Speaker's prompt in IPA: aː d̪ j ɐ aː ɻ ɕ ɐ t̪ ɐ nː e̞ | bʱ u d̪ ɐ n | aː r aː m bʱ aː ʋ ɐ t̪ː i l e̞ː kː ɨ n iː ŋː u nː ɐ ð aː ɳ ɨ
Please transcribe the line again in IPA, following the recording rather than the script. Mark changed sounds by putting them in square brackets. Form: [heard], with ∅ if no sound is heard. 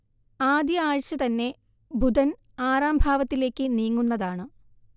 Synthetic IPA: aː d̪ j ɐ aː ɻ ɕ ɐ t̪ ɐ nː e̞ | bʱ u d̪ ɐ n | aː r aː m bʱ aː ʋ ɐ t̪ː i l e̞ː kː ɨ n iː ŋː u nː ɐ ð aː ɳ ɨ